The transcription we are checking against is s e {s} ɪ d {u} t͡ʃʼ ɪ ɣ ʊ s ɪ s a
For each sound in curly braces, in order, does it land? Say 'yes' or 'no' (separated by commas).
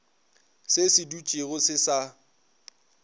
yes, yes